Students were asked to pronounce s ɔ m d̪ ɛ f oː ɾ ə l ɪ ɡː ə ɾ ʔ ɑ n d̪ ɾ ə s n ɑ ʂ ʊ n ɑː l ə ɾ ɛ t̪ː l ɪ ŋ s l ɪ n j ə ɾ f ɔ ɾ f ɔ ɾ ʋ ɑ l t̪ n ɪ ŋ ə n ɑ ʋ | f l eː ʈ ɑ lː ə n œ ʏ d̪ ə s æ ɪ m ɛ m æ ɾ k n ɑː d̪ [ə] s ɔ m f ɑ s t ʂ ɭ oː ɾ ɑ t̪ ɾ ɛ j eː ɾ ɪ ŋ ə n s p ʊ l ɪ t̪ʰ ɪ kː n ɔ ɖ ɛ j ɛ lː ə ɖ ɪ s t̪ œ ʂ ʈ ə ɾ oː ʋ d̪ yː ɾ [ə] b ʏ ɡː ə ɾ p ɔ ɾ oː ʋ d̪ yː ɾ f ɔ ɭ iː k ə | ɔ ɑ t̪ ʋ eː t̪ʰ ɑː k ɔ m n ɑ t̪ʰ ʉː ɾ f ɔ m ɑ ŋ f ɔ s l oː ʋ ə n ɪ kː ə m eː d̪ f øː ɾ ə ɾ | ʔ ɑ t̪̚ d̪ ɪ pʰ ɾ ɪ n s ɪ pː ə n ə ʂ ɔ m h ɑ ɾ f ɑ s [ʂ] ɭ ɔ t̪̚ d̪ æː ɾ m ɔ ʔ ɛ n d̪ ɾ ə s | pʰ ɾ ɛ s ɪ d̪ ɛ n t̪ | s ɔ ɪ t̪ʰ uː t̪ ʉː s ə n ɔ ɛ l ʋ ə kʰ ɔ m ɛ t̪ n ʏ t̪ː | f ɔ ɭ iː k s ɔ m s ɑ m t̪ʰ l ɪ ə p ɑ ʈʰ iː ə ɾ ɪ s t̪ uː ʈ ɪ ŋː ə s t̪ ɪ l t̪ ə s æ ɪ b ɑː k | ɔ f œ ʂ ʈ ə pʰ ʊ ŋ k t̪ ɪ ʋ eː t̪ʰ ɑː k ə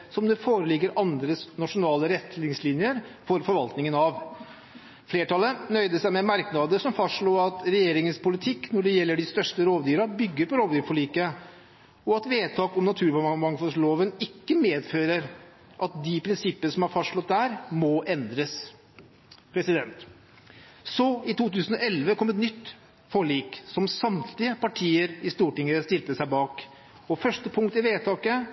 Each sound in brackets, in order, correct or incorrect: correct, incorrect: ɑ, correct

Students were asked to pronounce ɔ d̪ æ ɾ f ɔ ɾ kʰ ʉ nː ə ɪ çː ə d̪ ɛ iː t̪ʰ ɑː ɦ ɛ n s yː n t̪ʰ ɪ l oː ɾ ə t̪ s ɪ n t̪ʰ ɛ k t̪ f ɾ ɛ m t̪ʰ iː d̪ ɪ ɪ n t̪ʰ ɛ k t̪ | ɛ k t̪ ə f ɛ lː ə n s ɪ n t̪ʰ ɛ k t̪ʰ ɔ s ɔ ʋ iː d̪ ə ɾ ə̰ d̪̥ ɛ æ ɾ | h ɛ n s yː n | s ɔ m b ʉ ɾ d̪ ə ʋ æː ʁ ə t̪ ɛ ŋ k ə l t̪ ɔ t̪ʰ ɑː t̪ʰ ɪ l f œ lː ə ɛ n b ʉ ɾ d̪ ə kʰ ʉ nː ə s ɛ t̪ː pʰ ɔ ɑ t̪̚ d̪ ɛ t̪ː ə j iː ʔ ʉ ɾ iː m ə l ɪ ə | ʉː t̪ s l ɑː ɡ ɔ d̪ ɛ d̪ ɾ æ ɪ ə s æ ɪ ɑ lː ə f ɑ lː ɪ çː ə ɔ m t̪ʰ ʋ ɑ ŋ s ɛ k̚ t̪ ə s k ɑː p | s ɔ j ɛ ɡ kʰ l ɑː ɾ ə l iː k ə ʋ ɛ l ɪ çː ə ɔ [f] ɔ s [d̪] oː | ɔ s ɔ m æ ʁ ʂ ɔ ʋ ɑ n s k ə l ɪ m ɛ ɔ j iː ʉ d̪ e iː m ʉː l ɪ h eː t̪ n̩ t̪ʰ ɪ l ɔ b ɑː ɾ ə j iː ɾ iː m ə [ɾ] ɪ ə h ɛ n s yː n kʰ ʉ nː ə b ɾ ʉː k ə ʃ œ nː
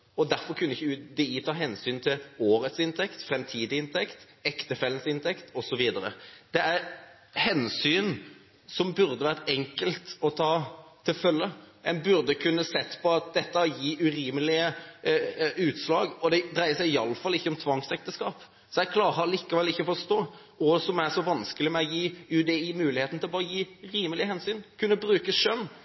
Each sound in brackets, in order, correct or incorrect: correct, incorrect: t̪, incorrect: l

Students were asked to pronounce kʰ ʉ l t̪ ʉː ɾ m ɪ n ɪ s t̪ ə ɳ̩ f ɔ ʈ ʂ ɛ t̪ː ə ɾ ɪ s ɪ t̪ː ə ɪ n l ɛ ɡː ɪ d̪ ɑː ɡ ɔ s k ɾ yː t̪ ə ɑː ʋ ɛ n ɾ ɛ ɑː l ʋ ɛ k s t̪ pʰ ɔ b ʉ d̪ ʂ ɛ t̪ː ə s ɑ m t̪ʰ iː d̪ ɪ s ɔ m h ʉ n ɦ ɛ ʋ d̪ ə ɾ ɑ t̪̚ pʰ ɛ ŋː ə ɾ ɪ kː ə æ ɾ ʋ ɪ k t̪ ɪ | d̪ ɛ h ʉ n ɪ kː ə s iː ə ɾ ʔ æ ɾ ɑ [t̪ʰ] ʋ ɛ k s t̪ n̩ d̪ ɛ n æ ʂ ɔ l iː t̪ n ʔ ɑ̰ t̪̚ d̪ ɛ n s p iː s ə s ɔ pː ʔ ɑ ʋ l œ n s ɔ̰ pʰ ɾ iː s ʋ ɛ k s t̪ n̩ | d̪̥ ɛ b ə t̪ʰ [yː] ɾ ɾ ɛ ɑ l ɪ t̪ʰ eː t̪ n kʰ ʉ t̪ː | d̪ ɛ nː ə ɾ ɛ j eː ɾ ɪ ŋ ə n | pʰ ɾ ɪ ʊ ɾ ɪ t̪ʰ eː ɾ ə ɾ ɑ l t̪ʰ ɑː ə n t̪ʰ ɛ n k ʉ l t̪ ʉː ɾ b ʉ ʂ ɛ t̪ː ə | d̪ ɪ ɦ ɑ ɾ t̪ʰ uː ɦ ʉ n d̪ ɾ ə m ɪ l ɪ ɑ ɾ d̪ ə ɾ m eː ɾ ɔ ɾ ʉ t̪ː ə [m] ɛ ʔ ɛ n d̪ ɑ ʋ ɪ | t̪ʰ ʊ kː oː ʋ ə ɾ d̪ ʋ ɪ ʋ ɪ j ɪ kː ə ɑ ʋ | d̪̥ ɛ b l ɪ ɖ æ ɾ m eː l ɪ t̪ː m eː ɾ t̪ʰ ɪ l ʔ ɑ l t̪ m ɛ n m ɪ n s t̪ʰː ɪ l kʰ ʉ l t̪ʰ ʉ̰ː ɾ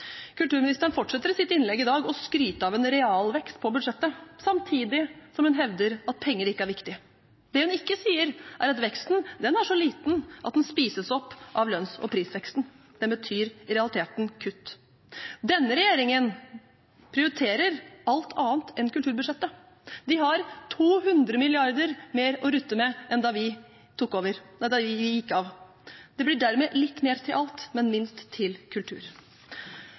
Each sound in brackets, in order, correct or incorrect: incorrect: t̪, correct, correct

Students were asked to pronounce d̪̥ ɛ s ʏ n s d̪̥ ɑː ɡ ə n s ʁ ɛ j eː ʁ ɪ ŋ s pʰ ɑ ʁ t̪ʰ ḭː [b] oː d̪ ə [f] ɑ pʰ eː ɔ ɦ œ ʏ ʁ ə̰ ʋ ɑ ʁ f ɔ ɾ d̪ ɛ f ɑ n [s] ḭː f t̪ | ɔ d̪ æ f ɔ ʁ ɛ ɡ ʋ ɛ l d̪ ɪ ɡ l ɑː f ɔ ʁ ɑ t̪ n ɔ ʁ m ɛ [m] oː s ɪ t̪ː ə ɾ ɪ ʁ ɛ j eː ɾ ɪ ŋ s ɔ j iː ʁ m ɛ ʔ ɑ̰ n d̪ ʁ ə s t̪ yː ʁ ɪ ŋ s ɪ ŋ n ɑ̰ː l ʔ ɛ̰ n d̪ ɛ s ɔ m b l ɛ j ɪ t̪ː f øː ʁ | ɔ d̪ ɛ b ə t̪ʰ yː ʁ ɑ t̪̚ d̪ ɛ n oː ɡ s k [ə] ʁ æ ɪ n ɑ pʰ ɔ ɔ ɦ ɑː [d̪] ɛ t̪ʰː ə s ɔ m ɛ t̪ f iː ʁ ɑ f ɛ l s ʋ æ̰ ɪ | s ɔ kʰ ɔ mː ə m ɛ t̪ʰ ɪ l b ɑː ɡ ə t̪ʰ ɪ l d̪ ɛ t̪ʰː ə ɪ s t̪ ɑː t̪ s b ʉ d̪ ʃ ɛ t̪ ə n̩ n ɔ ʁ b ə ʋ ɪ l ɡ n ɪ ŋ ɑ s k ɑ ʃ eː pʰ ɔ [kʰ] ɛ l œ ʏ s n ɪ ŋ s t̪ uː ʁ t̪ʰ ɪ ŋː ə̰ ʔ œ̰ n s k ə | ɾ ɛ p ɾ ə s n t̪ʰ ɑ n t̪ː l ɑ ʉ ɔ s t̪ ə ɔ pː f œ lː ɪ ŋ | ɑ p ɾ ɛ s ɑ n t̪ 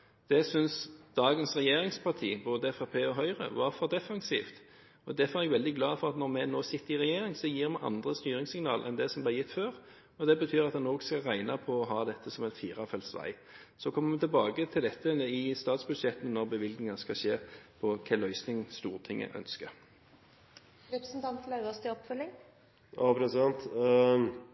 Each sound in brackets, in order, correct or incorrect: correct, correct, correct, incorrect: n, incorrect: ɑ, correct, correct

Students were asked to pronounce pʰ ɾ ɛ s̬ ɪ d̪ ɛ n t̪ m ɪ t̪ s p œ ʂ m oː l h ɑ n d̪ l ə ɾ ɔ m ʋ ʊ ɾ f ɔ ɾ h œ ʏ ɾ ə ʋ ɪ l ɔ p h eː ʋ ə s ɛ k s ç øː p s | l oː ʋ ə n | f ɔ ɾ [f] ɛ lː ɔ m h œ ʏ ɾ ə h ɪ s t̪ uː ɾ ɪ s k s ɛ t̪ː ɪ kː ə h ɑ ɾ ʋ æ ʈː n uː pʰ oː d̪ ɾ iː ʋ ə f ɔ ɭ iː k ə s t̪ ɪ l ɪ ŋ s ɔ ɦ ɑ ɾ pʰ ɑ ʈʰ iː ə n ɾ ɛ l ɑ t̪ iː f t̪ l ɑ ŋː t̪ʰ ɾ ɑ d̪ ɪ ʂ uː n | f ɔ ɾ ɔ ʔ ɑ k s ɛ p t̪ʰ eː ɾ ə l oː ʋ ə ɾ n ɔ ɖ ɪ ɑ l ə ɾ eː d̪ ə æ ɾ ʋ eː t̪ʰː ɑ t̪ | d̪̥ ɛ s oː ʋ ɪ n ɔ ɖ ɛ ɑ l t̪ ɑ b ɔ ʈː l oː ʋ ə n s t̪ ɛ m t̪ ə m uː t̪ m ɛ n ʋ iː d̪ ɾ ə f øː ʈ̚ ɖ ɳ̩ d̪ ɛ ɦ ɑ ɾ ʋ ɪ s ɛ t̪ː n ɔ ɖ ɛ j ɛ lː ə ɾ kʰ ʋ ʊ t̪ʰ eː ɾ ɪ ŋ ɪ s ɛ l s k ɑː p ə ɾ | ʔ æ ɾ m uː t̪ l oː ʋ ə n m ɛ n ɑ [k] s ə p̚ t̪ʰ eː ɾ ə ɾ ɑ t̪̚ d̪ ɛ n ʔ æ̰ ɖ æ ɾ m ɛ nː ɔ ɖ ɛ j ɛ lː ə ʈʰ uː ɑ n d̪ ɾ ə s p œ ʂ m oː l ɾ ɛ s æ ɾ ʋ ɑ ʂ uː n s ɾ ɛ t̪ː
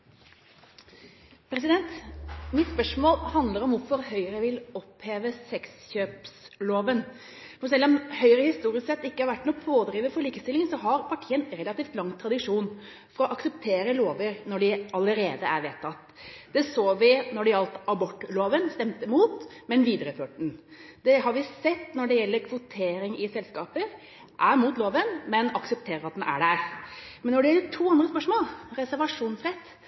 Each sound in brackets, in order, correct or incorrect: incorrect: s, correct

